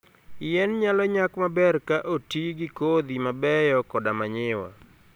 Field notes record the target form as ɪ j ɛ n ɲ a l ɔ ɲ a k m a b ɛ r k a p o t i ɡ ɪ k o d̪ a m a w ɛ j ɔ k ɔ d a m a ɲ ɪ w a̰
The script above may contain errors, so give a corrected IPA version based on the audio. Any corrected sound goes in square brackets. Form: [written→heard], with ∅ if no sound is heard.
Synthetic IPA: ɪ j ɛ n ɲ a l ɔ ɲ a k m a b ɛ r k a [p→ʔ] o t i ɡ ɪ k o d̪ [a→i] m a [w→b] ɛ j ɔ k ɔ d a m a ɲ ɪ w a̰